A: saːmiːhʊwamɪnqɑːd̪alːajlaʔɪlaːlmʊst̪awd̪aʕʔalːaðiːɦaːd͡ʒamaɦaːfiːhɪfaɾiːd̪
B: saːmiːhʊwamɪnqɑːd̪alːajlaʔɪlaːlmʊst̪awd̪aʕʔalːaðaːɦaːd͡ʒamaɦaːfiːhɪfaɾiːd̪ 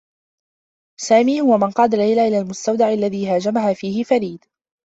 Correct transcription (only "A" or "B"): A